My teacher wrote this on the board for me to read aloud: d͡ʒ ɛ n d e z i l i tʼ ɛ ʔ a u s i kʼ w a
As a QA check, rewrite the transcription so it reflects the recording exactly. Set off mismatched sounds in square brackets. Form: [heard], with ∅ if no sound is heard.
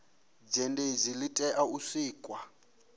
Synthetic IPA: d͡ʒ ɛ n d e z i l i tʼ ɛ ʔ a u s [iː] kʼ w a